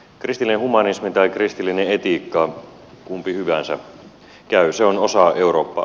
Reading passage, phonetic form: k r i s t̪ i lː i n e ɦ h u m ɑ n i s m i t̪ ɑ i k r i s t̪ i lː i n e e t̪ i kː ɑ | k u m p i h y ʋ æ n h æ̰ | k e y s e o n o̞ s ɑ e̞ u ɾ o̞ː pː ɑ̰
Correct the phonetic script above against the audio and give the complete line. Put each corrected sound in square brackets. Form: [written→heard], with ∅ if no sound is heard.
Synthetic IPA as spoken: k r i s t̪ i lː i n e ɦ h u m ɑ n i s m i t̪ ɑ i k r i s t̪ i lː i n e e t̪ i kː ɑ | k u m p i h y ʋ æ n [h→s] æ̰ | k [e→æ] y s e o n o̞ s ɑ e̞ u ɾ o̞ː pː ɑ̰